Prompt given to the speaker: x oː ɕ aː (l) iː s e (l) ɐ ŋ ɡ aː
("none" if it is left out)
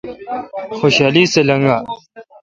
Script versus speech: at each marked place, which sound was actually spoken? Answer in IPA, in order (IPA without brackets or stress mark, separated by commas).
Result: l, l